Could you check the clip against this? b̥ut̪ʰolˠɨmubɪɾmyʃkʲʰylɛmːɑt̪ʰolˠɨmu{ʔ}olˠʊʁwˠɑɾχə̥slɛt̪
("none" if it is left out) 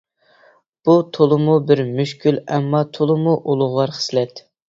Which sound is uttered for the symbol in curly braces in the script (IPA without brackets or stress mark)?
ʔ